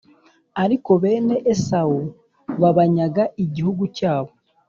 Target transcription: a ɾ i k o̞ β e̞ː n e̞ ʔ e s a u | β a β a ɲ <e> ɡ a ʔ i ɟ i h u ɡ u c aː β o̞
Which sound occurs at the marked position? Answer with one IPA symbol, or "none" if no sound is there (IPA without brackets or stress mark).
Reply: a